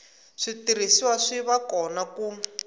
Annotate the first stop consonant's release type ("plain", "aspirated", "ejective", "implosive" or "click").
plain